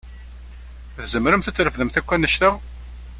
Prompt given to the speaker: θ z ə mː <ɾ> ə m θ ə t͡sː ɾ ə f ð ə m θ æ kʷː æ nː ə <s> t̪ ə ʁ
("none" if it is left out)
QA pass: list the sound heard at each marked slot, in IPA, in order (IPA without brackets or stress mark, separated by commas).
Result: ɾ, ʃ